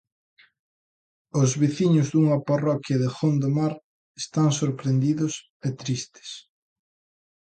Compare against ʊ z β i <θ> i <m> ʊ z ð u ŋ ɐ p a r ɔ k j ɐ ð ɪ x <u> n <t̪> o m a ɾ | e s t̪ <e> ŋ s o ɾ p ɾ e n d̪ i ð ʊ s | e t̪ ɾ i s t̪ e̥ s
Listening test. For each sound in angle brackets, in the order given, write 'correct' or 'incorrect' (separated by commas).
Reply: correct, incorrect, incorrect, incorrect, incorrect